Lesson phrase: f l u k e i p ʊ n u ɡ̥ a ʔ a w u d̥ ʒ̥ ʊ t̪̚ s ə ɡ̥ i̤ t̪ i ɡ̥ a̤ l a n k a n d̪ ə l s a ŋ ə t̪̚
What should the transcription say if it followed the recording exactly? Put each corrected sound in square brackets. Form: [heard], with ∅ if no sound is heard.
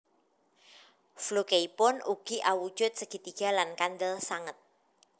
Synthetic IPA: f l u k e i p ʊ n u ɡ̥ [i] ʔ a w u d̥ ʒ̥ ʊ t̪̚ s ə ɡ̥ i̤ t̪ i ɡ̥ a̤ l a n k a n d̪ ə l s a ŋ ə t̪̚